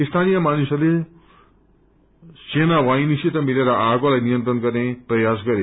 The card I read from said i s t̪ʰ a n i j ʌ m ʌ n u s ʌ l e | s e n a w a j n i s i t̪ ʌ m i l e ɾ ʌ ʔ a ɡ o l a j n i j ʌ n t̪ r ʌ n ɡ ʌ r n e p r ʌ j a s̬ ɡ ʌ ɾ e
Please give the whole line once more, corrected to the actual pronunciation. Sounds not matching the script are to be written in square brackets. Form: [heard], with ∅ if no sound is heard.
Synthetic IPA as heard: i s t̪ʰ a n i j ʌ m [a] n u s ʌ l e | s e n a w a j n i s i t̪ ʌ m i l e ɾ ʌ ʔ a ɡ o l a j n i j ʌ n t̪ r ʌ n ɡ ʌ r n e p r ʌ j a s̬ ɡ ʌ ɾ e